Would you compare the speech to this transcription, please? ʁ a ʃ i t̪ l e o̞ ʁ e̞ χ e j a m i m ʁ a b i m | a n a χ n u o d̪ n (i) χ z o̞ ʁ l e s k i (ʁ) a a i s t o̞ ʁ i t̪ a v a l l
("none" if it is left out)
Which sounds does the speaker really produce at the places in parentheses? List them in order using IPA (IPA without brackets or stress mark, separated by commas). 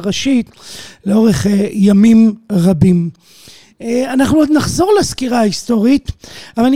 a, ʁ